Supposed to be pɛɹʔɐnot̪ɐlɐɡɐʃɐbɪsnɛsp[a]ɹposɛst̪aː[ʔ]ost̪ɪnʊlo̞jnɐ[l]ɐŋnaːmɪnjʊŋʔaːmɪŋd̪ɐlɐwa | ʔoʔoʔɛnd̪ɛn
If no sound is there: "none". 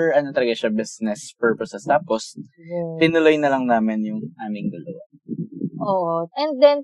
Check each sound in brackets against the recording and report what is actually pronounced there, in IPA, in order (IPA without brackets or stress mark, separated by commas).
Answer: ɛ, p, l